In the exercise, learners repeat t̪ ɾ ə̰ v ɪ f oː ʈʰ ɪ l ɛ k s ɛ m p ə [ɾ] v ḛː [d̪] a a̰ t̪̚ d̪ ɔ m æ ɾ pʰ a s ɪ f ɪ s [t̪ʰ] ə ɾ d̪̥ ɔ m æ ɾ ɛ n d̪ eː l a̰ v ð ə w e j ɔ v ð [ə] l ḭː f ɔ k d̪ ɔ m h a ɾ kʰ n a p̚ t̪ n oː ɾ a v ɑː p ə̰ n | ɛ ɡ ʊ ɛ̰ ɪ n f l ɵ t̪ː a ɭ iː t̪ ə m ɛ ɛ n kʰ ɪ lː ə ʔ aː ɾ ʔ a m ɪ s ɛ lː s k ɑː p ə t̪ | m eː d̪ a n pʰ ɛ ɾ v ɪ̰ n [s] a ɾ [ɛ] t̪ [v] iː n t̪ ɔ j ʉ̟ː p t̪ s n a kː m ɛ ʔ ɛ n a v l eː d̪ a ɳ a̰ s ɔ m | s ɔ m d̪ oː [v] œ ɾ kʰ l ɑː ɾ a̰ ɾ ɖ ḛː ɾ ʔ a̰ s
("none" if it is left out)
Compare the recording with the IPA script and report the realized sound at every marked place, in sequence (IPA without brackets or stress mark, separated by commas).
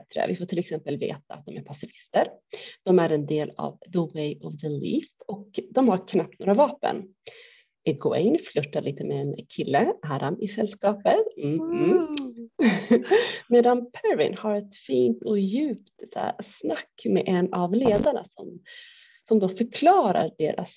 l, t̪, t̪, ə, h, ɛ, f, f